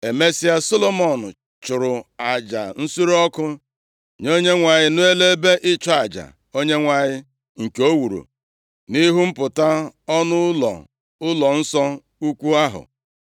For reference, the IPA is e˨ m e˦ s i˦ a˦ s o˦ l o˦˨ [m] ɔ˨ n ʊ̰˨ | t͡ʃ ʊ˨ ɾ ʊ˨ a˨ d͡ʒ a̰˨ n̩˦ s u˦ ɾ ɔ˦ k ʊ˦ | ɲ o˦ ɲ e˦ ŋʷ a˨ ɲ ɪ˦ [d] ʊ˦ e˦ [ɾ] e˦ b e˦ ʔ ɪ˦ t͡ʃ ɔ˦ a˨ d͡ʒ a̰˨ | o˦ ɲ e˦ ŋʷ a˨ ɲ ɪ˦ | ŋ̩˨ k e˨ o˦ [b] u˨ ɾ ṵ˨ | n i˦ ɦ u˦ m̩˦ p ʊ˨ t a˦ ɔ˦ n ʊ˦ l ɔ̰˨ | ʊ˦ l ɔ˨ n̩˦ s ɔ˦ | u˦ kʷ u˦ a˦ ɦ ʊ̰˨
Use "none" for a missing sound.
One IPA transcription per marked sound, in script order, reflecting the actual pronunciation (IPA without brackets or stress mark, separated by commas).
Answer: m, n, l, w